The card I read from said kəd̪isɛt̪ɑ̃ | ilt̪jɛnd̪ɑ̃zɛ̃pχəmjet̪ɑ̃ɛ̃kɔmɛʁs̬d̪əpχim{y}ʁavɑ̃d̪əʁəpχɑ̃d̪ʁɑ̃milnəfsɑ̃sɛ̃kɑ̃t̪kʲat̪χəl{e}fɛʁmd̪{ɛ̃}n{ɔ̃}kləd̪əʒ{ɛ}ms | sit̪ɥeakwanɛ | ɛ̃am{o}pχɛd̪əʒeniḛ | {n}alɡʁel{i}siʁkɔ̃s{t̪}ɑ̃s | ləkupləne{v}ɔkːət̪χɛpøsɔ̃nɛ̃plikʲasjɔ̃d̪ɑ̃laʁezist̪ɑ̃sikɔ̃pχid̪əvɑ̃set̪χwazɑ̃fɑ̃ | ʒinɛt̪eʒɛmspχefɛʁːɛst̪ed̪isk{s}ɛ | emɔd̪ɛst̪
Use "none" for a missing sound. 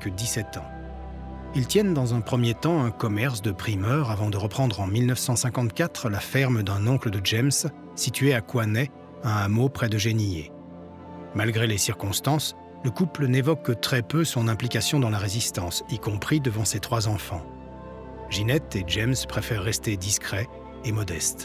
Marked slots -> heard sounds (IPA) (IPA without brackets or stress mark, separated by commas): œ, a, ɛ̃, ɔ̃, ɛ, o, m, e, t̪, v, χ